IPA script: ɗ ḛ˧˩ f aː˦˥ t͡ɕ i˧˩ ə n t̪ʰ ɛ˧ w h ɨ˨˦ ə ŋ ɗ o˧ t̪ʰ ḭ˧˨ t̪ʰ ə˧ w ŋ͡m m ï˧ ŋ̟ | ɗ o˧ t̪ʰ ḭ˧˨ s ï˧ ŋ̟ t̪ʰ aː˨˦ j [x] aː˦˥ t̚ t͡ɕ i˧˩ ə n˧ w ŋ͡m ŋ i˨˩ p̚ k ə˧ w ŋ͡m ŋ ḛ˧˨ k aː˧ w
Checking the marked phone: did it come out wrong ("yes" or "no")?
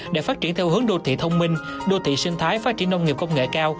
yes